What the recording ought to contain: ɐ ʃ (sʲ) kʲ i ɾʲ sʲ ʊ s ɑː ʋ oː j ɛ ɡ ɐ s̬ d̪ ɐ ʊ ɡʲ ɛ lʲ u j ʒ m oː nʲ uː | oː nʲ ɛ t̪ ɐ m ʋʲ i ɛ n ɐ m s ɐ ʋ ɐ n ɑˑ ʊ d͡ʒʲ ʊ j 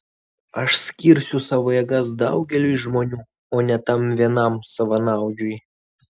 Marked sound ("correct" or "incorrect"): correct